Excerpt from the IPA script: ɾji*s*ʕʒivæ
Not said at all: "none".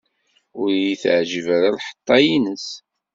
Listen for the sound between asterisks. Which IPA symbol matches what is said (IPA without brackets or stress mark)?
θ